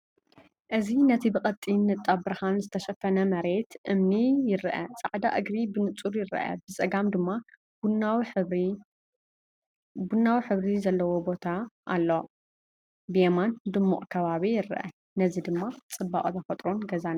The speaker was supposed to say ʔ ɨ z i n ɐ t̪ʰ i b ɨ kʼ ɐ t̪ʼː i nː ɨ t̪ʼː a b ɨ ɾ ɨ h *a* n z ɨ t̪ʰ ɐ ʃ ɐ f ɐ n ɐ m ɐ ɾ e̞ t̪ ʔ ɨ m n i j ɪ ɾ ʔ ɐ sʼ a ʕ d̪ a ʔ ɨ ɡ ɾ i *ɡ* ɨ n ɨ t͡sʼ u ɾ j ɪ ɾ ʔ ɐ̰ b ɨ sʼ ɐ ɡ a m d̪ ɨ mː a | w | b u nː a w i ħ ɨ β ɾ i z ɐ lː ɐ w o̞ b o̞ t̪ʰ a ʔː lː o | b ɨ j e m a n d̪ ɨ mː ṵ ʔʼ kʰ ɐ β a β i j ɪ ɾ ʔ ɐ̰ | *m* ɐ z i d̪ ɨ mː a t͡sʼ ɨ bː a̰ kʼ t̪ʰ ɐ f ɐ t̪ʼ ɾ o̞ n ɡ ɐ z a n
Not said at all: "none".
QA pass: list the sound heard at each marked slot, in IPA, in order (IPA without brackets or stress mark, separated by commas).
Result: a, b, n